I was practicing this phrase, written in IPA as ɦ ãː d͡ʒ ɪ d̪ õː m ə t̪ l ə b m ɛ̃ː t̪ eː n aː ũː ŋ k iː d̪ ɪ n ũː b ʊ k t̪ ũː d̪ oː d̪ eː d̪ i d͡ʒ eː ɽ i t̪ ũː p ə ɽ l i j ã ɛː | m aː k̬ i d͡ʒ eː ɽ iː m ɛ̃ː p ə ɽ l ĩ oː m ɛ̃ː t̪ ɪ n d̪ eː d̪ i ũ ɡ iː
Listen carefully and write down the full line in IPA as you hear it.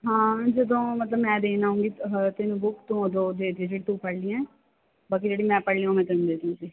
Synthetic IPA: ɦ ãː d͡ʒ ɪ d̪ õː m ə t̪ l ə b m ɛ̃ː d̪ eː n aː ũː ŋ ɡ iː t̪ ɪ n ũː b ʊ k t̪ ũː d̪ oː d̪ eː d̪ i d͡ʒ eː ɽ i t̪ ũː p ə ɽ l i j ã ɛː | b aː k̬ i d͡ʒ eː ɽ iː m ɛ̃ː p ə ɽ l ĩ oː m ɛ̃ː t̪ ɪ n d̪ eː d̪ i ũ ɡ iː